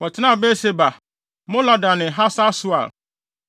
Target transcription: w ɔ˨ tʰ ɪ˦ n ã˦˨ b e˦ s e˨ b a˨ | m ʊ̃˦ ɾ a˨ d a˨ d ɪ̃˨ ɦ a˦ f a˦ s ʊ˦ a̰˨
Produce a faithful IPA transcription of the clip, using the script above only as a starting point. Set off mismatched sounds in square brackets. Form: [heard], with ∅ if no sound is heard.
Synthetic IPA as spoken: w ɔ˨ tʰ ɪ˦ n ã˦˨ b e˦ s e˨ b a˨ | m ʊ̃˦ [l] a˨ d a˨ [n] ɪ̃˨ ɦ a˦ [s] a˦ s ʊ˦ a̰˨